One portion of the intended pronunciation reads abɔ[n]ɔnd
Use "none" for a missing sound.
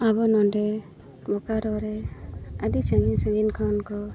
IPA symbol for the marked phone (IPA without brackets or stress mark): n